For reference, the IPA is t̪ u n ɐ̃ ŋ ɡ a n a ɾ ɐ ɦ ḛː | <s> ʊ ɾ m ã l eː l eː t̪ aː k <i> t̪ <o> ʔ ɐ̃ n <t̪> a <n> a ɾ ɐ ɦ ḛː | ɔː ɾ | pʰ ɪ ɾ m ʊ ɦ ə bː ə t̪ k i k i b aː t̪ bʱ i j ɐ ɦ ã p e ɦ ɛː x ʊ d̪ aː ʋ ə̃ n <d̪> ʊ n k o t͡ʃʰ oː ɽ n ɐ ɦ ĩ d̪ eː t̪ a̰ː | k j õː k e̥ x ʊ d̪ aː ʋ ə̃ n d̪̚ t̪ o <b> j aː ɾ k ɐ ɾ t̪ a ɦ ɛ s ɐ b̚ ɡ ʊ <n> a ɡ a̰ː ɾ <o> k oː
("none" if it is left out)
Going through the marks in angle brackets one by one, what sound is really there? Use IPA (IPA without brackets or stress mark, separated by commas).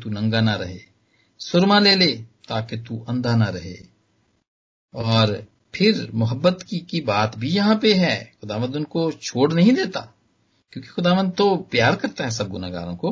s, e, u, d̪, n, d̪, p, n, õ